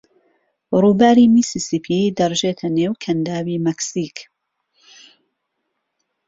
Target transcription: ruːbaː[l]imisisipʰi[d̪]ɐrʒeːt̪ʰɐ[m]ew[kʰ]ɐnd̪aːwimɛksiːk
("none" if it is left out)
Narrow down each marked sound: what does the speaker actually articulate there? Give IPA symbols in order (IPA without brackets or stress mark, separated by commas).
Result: ɾ, d̪, n, kʰ